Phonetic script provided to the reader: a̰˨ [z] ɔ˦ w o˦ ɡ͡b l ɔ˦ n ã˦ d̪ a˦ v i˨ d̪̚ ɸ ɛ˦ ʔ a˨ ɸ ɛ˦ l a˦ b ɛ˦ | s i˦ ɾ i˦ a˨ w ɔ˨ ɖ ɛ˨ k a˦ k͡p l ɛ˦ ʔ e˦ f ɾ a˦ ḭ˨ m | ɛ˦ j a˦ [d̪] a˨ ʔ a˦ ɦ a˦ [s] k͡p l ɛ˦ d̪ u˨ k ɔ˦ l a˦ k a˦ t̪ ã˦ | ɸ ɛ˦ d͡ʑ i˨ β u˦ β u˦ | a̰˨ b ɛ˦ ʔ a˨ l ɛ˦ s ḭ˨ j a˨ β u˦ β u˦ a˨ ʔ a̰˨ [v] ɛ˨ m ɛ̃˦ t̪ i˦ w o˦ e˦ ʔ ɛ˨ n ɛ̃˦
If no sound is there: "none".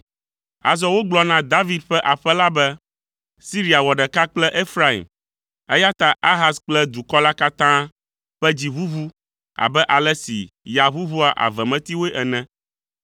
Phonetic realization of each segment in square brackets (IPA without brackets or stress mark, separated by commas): z, t̪, s, v